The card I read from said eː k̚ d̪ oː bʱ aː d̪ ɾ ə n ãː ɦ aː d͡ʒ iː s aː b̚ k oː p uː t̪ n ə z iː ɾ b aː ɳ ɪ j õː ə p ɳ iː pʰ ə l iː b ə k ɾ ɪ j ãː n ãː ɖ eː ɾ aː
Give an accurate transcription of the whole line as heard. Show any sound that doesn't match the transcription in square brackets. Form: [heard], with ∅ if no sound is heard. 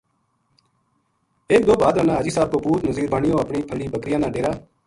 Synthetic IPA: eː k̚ d̪ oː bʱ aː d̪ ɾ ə n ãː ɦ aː d͡ʒ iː s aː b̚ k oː p uː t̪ n ə z iː ɾ b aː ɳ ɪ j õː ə p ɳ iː pʰ ə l iː b ə k ɾ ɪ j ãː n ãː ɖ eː ɾ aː